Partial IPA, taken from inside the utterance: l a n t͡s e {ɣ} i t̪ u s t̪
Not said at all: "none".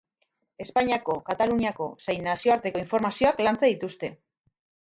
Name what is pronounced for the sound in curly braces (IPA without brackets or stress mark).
ð